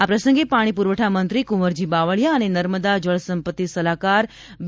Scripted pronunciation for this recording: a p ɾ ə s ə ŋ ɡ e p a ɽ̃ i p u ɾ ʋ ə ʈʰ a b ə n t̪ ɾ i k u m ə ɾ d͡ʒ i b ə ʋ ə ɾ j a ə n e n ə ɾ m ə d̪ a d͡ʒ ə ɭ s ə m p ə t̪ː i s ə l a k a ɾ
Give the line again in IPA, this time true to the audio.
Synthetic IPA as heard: a p ɾ ə s ə ŋ ɡ e p a ɽ̃ i p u ɾ ʋ ə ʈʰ a m ə n t̪ ɾ i k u m ə ɾ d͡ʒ i b a ʋ ə ɭ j a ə n e n ə ɾ m ə d̪ a d͡ʒ ə ɭ s ə m p ə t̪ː i s ə l a k a ɾ